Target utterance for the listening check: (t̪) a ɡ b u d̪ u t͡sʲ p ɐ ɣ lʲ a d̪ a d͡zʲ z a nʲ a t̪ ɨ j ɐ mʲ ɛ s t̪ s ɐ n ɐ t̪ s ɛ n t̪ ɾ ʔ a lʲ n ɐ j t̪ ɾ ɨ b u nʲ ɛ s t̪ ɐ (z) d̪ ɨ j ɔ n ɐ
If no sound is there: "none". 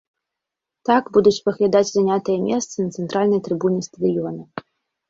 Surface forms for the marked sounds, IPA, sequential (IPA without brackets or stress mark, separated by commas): t̪, none